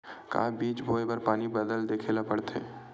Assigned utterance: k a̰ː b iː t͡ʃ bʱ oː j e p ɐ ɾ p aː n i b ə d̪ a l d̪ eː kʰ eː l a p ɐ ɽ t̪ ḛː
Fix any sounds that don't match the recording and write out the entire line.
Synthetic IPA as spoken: k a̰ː b iː t͡ʃ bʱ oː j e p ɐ ɾ p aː n i b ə d̪ ə l d̪ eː kʰ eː l a p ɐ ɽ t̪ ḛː